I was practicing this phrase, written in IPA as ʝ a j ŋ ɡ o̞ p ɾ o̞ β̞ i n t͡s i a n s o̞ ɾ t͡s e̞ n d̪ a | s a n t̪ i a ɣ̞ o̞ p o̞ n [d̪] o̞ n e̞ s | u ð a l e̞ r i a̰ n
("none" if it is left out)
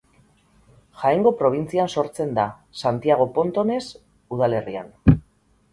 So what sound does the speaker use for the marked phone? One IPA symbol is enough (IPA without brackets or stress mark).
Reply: t̪